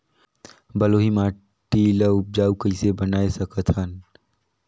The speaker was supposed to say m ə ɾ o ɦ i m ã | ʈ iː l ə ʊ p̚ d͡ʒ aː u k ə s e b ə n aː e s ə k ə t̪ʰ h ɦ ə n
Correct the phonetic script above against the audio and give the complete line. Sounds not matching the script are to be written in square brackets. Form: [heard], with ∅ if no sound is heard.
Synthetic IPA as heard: [b] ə [l] o ɦ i m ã | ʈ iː l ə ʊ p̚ d͡ʒ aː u k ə s e b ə n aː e s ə k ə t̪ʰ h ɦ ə n